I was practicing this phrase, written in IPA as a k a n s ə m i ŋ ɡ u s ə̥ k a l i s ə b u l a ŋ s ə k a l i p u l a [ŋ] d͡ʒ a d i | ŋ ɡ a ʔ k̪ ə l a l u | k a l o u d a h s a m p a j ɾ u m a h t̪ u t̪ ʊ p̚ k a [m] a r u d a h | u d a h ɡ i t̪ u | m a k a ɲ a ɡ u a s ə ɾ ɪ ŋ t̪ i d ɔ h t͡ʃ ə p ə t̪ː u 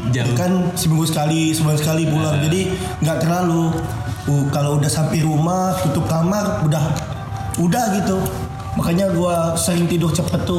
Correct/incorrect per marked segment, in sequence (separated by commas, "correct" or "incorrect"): correct, correct